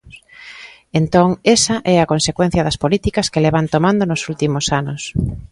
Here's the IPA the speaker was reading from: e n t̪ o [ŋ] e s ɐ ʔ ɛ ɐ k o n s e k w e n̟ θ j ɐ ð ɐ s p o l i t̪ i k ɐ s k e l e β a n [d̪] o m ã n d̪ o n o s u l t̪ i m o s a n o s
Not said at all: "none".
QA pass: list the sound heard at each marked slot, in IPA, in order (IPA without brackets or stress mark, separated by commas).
ŋ, t̪